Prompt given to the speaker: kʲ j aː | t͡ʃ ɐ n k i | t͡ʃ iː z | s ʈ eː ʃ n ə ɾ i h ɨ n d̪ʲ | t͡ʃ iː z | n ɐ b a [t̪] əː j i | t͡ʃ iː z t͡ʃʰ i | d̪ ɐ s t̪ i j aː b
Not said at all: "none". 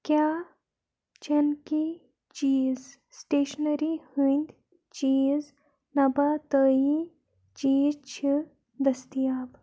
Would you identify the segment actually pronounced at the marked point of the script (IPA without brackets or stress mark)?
t̪